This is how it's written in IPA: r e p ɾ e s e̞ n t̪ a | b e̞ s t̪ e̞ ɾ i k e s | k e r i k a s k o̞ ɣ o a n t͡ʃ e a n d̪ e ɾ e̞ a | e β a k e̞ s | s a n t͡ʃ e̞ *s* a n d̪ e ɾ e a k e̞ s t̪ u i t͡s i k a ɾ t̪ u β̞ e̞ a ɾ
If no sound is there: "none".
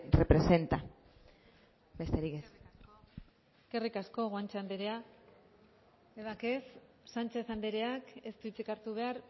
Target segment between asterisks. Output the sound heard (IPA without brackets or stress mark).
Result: θ